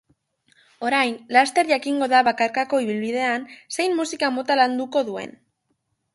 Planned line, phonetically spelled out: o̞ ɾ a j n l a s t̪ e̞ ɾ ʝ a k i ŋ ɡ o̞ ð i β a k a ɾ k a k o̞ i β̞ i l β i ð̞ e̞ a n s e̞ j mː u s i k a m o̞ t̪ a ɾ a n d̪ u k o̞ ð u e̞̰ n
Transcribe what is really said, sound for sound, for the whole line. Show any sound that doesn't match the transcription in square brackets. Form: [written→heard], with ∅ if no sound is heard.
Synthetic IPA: o̞ ɾ a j n l a s t̪ e̞ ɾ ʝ a k i ŋ ɡ o̞ ð [i→a] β a k a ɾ k a k o̞ i β̞ i l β i ð̞ e̞ a n s e̞ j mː u s i k a m o̞ t̪ a [ɾ→l] a n d̪ u k o̞ ð u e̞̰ n